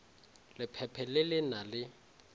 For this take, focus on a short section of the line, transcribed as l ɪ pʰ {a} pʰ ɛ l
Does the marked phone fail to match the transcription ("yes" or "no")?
yes